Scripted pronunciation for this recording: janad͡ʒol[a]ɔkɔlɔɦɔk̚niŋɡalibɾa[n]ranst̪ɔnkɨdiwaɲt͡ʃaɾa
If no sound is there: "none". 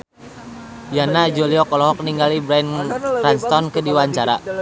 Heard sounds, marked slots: i, n

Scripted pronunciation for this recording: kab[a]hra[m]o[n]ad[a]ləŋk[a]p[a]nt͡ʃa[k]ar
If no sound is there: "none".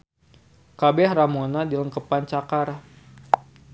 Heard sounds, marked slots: ɛ, m, n, i, ə, a, k

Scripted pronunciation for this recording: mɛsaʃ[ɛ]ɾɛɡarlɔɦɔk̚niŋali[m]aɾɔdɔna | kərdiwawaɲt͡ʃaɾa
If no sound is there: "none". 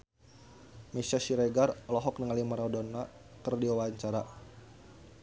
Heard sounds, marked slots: i, m

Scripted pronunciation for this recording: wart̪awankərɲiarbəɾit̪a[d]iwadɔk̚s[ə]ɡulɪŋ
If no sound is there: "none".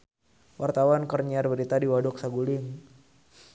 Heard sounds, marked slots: d, a

